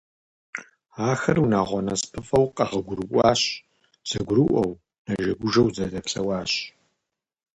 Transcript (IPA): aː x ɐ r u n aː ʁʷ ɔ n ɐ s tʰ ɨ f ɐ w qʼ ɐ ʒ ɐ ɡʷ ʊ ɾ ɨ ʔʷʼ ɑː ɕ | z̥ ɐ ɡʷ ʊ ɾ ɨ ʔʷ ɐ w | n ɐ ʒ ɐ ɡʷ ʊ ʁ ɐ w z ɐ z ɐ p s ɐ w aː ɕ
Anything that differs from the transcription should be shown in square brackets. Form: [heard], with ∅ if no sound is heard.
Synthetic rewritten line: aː x ɐ r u n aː ʁʷ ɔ n ɐ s [pʰ] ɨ f ɐ w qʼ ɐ [ʁ] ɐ ɡʷ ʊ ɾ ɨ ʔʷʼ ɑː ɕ | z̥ ɐ ɡʷ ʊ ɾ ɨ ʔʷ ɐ w | n ɐ ʒ ɐ ɡʷ ʊ [ʒ] ɐ w z ɐ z ɐ p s ɐ w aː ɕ

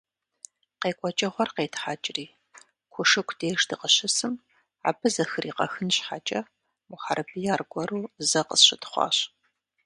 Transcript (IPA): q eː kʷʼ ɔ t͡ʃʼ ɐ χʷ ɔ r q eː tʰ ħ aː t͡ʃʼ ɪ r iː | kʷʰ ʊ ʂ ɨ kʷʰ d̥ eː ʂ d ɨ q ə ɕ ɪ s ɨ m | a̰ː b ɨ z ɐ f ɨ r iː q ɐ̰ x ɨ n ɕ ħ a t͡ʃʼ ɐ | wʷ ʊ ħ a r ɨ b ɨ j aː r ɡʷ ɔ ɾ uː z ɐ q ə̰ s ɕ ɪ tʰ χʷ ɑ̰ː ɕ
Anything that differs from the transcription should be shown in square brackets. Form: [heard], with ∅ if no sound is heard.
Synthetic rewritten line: q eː kʷʼ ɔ t͡ʃʼ ɐ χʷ ɔ r q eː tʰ ħ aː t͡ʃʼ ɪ r iː | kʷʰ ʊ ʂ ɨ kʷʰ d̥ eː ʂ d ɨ q ə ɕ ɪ s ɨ m | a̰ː b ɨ z ɐ [x] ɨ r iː q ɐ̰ x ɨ n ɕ ħ a t͡ʃʼ ɐ | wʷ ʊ ħ a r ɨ b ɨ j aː r ɡʷ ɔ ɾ uː z ɐ q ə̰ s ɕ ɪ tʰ χʷ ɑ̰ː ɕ

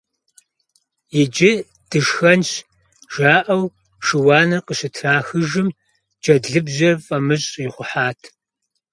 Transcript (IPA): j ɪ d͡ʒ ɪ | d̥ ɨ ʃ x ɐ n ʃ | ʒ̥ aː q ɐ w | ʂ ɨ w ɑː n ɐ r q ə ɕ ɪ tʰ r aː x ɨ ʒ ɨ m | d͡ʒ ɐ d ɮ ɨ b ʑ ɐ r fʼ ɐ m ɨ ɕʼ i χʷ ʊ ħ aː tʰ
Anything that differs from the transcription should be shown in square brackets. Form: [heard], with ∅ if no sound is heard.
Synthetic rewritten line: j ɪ d͡ʒ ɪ | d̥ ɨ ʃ x ɐ n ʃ | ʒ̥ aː [ʔ] ɐ w | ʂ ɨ w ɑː n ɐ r q ə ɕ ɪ tʰ r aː x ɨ ʒ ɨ m | d͡ʒ ɐ d ɮ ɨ b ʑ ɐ r fʼ ɐ m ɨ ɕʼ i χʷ ʊ ħ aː tʰ

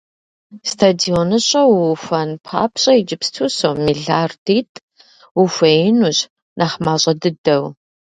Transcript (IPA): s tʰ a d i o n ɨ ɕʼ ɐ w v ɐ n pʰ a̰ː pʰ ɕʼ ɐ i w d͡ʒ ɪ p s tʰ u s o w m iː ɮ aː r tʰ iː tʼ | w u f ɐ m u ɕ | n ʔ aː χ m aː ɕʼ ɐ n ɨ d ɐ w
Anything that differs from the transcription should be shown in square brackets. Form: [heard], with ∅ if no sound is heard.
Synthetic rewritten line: s tʰ a d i o n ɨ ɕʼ ɐ w [f] ɐ n pʰ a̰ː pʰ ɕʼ ɐ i [∅] d͡ʒ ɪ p s tʰ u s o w m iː ɮ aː r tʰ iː tʼ | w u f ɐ [n] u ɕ | n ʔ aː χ m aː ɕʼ ɐ [d] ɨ d ɐ w

